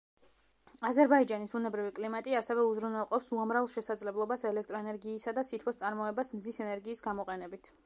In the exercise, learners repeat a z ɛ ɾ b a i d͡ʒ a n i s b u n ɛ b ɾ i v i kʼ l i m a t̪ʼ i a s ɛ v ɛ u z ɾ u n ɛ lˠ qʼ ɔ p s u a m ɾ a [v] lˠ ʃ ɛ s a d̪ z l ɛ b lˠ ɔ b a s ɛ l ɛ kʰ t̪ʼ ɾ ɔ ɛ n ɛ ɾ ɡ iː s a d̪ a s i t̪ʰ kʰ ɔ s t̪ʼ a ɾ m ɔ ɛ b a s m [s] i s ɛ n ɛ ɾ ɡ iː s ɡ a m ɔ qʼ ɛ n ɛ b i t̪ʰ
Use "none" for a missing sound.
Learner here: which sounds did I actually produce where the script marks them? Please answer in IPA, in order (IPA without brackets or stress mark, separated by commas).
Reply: v, z